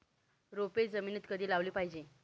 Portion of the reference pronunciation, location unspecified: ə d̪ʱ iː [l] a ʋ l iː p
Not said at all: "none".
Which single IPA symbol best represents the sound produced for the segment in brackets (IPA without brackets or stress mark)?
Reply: l